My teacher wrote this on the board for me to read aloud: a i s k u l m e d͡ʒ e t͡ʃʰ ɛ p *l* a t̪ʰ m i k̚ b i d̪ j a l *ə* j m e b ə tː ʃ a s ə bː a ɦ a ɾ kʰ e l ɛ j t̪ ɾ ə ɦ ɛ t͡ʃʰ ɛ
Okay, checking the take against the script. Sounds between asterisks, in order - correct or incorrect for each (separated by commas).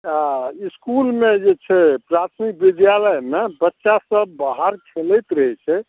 incorrect, correct